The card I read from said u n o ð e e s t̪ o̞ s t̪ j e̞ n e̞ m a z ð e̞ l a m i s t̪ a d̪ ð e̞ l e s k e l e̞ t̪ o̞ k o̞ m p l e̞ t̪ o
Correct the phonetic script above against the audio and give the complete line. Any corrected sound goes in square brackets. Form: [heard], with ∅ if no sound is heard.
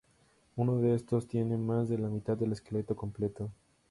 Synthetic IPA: u n o ð e e s t̪ o̞ s t̪ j e̞ n e̞ m a z ð e̞ l a m i [∅] t̪ a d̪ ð e̞ l e s k e l e̞ t̪ o̞ k o̞ m p l e̞ t̪ o